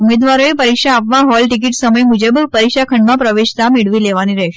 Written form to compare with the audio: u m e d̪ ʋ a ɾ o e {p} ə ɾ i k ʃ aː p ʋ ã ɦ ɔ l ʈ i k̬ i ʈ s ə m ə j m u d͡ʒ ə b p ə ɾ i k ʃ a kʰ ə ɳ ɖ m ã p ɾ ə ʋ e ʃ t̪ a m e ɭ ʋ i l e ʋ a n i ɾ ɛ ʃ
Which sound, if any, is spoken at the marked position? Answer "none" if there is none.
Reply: p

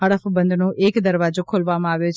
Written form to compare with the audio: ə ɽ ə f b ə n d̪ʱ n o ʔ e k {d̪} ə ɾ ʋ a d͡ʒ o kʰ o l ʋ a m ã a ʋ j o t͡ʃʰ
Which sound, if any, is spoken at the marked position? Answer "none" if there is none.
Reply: d̪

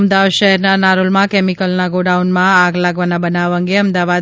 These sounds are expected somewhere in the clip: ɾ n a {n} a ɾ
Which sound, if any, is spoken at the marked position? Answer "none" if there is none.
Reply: n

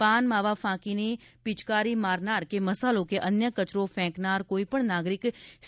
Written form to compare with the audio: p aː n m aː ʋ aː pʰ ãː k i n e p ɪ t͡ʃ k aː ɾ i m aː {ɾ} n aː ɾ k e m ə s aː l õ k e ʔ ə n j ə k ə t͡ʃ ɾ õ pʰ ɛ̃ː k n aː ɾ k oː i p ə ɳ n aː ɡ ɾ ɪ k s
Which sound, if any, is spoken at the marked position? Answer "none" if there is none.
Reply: ɾ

